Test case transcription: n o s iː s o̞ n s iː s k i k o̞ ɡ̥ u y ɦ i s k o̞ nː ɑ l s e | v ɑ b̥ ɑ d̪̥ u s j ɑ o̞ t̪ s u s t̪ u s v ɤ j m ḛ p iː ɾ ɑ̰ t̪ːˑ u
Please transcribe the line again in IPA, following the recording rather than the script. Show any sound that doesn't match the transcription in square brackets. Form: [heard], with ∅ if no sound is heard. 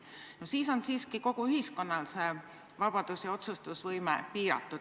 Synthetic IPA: n o s iː s o̞ n s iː s k i k o̞ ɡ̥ u y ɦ i s k o̞ nː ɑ l s e | v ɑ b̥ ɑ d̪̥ u s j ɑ o̞ t̪ s u s t̪ u s v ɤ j m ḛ p iː ɾ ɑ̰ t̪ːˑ u